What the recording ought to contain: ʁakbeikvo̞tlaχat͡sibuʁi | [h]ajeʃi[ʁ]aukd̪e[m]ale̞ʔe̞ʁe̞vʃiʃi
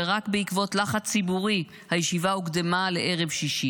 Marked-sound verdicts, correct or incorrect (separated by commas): correct, incorrect, correct